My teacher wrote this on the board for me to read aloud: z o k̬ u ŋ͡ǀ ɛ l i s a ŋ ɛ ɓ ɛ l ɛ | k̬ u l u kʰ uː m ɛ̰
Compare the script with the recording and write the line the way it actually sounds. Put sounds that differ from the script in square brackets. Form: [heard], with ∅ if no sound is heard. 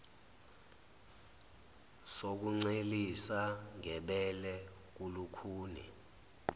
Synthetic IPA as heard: [s] o k̬ u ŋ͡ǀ [e] l i s a ŋ ɛ ɓ ɛ l ɛ | k̬ u l u kʰ uː [n] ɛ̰